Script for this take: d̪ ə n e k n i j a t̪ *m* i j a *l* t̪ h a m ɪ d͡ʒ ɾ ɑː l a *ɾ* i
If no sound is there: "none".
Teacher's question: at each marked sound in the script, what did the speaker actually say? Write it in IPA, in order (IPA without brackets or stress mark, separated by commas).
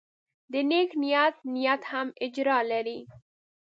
n, none, ɾ